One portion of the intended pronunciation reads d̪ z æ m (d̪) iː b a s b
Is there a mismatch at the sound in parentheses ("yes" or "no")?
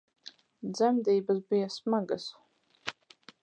no